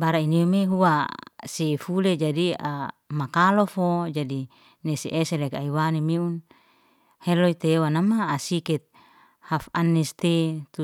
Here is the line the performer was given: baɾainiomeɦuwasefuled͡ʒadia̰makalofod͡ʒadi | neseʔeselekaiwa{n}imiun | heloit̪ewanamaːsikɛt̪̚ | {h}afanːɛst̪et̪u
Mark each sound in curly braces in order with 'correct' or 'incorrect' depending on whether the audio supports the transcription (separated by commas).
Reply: correct, correct